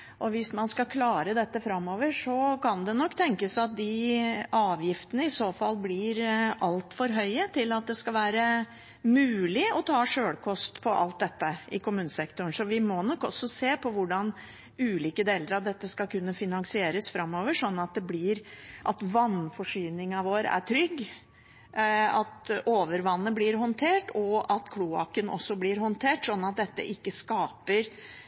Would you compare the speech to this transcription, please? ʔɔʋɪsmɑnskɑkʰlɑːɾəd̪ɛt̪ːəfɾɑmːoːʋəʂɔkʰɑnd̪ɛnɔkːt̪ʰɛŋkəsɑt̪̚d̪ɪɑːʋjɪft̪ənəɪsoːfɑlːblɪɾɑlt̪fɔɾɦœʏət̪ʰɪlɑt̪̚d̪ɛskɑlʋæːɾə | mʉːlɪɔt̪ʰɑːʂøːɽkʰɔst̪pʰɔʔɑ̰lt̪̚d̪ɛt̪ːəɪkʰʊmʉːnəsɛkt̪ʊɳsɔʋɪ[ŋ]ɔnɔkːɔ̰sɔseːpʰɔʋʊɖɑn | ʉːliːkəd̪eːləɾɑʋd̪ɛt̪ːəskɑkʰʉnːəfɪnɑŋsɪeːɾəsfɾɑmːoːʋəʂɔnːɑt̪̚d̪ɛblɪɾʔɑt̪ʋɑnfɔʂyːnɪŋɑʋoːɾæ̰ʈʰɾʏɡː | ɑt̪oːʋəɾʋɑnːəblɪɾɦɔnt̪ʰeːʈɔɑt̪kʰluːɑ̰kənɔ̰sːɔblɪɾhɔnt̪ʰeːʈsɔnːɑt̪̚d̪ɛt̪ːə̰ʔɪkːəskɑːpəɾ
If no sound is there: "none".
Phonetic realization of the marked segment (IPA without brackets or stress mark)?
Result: m